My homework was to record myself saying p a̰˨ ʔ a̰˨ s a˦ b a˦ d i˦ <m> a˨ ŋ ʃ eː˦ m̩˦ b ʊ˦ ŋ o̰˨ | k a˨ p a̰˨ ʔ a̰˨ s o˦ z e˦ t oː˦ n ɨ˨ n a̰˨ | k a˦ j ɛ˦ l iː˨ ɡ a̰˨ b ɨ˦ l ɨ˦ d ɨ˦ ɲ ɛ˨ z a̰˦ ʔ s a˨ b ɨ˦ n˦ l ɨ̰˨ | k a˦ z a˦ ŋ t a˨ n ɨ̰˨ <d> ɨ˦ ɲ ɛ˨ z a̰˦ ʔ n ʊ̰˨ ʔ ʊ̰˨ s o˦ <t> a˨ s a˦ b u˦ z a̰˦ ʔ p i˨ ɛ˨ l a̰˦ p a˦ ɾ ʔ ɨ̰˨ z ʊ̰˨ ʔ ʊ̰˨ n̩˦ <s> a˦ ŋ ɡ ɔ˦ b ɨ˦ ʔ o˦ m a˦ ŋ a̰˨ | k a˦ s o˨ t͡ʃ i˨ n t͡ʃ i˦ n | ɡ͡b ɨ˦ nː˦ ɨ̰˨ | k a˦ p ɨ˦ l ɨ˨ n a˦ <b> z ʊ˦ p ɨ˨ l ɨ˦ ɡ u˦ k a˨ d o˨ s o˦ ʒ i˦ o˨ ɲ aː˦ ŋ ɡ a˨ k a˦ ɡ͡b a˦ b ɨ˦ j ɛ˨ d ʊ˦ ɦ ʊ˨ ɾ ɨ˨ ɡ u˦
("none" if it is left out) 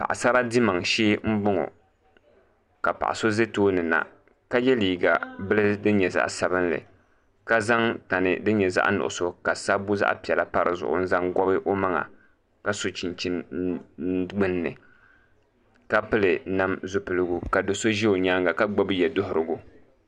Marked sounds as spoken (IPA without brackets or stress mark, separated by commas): m, d, k, z, m